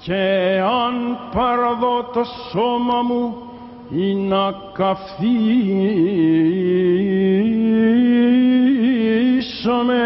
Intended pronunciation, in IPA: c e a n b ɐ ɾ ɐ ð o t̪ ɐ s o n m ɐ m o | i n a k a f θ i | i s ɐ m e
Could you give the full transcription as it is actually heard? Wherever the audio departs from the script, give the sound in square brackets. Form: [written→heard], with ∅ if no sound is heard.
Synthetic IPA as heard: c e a n [b→p] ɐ ɾ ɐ ð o t̪ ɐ s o [n→∅] m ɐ m [o→u] | i n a k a f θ i | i s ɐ m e